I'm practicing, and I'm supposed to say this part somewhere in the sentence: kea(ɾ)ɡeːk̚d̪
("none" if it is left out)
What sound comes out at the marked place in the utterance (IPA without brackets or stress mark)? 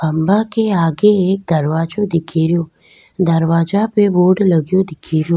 none